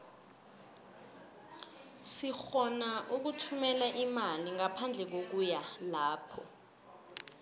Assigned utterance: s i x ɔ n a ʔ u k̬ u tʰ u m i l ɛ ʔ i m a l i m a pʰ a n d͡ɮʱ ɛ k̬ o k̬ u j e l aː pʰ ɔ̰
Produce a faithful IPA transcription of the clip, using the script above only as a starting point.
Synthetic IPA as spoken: s i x ɔ n a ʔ u k̬ u tʰ u m ɛ l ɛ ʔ i m a l i ŋ a pʰ a n d͡ɮʱ ɛ k̬ o k̬ u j a l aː pʰ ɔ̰